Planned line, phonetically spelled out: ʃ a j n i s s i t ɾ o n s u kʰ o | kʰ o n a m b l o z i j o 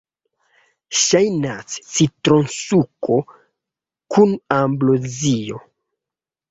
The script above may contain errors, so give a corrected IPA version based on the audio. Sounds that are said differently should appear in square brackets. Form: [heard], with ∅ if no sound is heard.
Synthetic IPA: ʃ a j n [a] s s i t ɾ o n s u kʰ o | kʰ [u] n a m b l o z i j o